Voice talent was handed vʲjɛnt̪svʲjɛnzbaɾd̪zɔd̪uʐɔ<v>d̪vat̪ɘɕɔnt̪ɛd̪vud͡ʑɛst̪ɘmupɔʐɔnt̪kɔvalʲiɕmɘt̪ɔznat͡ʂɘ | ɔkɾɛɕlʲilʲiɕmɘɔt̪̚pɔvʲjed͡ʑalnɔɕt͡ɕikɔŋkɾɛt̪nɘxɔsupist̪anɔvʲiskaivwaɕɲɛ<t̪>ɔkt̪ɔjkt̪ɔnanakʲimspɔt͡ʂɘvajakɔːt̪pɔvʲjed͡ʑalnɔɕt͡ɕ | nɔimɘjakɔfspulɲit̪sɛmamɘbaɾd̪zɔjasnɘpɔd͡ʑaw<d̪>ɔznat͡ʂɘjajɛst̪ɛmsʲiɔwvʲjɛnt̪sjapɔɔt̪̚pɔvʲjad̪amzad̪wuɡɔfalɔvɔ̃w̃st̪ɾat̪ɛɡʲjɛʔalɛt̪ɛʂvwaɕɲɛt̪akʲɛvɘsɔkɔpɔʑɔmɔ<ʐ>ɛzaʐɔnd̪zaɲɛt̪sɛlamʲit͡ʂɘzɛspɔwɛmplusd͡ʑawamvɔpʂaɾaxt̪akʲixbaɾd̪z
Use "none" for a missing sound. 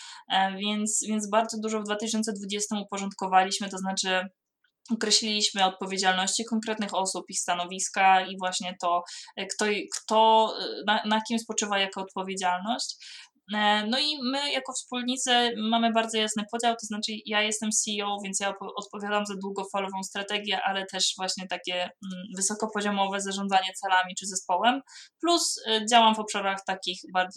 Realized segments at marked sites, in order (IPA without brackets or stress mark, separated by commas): v, t̪, t̪, v